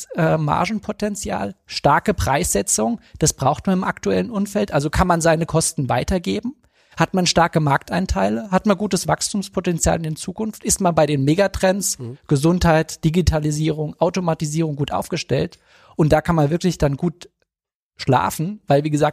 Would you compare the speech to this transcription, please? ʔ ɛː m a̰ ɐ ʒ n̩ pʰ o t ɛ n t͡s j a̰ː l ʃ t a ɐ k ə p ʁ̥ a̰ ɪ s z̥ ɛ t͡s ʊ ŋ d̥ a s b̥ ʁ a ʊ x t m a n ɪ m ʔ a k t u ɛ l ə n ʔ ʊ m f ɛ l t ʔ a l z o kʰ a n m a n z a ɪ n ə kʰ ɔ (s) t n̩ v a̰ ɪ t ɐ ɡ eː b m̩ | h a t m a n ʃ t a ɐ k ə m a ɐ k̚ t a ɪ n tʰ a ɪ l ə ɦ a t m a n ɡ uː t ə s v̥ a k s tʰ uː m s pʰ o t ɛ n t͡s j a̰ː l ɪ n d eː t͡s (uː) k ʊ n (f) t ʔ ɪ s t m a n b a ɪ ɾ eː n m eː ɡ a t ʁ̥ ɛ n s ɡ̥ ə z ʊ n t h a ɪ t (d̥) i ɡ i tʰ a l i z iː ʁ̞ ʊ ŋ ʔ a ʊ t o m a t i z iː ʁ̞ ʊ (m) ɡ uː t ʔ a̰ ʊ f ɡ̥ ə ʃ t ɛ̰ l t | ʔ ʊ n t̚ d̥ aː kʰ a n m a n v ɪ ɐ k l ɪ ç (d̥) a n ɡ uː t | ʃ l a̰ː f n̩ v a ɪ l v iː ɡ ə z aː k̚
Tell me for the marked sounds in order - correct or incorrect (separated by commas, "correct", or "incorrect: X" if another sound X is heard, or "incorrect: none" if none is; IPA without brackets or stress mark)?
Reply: correct, correct, correct, correct, incorrect: ŋ, correct